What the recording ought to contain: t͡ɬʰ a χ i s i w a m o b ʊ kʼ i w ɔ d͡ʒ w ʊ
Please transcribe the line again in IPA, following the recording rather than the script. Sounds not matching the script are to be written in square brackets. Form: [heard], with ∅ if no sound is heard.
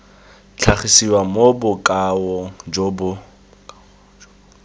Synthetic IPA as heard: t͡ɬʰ a χ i s i w a m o b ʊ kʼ [a] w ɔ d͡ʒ [b] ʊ